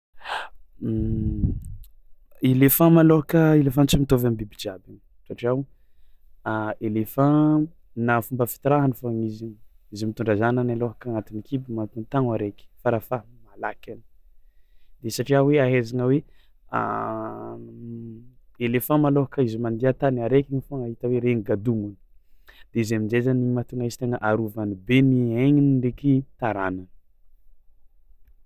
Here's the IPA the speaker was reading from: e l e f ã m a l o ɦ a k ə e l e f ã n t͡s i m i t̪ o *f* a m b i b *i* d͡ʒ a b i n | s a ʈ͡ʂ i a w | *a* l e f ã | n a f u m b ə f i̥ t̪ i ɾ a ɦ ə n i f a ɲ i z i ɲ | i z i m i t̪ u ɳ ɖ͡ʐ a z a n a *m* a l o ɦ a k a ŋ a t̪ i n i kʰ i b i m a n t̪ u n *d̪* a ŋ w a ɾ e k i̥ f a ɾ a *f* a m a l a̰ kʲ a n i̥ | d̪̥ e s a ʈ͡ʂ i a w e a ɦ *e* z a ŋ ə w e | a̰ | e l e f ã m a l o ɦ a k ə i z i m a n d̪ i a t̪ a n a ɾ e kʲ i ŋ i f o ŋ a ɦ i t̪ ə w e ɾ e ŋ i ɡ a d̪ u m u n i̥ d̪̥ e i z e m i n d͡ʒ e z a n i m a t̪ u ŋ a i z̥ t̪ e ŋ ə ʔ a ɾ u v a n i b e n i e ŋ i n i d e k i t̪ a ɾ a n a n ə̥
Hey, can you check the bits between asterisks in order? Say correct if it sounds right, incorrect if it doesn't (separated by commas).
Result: incorrect, correct, incorrect, incorrect, incorrect, correct, correct